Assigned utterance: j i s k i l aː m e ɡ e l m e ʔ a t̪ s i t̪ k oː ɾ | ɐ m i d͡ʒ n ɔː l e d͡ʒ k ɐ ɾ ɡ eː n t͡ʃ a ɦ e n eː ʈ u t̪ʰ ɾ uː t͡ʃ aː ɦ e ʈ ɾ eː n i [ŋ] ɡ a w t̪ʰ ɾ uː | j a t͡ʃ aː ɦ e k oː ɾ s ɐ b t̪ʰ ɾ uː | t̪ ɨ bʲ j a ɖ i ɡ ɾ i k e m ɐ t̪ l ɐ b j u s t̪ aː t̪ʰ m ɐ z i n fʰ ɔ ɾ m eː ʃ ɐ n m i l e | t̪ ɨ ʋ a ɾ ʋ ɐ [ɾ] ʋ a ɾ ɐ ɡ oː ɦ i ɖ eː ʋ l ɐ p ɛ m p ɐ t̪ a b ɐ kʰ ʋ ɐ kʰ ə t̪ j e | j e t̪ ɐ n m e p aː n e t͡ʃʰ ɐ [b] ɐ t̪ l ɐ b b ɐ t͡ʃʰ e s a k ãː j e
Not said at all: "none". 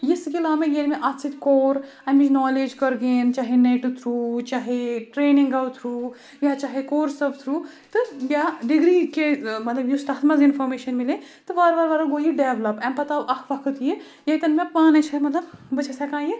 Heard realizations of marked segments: ŋ, ɾ, m

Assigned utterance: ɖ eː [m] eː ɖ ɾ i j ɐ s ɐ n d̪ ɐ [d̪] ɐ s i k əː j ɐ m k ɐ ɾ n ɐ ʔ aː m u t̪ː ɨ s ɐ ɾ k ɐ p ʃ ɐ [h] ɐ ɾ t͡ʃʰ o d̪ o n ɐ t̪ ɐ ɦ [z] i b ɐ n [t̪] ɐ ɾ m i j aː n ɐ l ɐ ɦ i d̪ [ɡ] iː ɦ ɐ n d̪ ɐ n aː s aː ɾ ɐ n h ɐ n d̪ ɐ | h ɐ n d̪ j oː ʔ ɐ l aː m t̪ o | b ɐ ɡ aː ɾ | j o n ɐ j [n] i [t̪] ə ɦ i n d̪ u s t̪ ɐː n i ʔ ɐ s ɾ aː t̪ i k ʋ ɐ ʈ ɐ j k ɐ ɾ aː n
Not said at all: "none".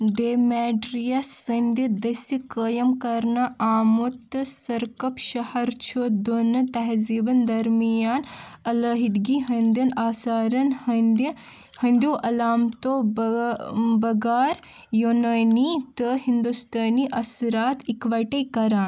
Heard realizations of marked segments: m, d̪, h, z, d̪, ɡ, n, t̪

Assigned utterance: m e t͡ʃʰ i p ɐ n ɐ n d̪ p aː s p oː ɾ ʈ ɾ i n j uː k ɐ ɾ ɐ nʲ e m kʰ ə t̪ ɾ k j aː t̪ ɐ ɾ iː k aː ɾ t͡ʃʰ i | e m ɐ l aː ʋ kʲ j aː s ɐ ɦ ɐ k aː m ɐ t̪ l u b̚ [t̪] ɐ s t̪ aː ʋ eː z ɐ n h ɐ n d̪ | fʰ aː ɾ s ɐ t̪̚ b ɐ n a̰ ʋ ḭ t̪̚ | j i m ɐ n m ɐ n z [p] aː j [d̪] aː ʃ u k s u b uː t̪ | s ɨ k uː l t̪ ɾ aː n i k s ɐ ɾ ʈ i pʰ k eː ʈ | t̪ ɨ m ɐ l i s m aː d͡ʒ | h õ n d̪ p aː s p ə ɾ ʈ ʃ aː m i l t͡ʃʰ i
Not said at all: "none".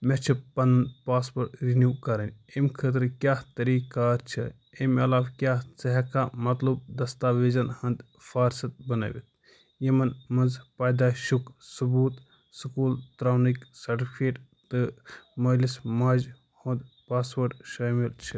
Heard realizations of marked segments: d̪, p, d̪

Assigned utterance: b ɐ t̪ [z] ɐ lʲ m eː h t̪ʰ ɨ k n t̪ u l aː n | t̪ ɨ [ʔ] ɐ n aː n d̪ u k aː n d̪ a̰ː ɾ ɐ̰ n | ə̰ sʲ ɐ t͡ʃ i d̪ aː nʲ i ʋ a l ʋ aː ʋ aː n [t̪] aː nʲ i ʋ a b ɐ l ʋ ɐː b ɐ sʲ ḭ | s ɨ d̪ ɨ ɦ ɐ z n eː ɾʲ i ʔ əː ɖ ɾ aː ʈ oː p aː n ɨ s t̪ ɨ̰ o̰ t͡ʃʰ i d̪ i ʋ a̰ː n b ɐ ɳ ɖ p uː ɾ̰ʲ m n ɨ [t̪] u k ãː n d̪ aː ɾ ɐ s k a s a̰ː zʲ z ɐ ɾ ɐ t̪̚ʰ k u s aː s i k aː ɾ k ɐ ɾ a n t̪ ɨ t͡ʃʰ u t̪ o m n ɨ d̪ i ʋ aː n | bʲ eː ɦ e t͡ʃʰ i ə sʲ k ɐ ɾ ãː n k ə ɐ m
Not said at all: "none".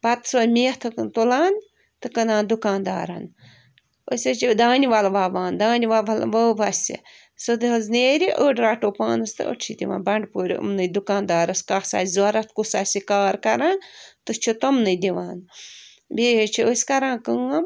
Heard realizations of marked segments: s, k, d̪, d̪

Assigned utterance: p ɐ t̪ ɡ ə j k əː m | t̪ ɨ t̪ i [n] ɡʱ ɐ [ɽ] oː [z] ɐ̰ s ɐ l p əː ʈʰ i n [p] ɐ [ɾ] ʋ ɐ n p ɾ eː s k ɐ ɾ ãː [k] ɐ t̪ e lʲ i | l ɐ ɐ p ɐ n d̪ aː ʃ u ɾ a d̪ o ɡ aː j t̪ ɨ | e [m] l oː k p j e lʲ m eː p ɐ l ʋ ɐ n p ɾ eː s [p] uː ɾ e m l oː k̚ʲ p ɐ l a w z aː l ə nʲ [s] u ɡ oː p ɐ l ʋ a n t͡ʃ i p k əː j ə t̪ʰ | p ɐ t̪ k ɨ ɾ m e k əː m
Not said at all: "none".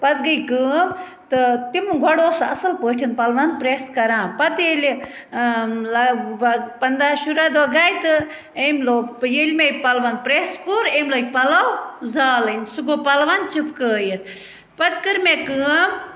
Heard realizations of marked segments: m, ɽ, s, p, l, p, m, k, s

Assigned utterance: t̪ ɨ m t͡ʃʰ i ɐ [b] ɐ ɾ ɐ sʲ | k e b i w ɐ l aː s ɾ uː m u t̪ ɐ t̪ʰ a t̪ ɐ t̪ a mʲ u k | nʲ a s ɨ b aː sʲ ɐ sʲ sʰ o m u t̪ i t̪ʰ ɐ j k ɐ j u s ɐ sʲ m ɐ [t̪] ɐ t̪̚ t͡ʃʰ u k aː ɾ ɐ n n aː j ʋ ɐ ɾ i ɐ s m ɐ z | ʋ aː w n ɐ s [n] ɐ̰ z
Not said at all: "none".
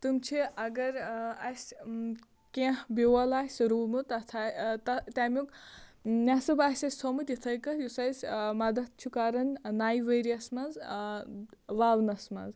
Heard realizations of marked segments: ɡ, d̪, m

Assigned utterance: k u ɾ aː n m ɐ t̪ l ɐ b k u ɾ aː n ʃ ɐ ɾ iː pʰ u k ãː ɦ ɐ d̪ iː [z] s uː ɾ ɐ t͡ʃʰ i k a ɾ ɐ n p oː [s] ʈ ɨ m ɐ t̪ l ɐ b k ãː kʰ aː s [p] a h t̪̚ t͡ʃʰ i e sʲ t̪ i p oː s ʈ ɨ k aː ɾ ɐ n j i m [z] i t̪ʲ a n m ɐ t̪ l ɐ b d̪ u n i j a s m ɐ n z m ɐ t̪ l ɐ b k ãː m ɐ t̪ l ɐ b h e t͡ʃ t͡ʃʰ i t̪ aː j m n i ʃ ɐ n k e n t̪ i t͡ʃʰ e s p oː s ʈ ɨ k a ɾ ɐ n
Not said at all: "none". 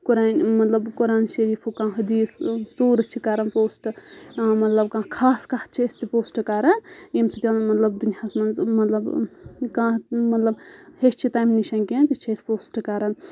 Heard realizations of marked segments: s, s, k, s

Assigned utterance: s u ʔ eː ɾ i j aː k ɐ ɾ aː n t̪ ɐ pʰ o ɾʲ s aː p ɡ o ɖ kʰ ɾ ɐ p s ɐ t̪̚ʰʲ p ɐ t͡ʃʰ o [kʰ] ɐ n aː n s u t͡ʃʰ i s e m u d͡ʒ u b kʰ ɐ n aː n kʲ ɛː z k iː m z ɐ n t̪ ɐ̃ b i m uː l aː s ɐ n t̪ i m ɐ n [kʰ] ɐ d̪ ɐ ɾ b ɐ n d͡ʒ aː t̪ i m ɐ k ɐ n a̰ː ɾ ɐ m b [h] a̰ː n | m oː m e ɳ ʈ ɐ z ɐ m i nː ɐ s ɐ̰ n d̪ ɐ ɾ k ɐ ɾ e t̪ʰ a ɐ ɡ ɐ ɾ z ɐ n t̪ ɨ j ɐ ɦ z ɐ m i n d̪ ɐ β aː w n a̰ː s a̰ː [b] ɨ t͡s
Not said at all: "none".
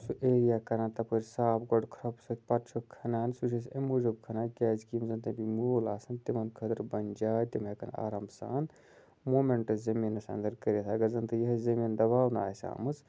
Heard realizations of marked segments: kʰ, kʰ, s, m

